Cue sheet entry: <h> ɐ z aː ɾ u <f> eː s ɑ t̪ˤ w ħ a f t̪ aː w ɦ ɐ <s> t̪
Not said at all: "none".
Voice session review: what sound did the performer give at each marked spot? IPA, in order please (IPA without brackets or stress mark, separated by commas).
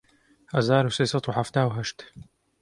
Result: h, s, ʃ